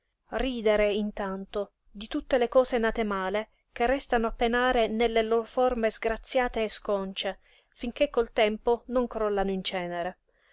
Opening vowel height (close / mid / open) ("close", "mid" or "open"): close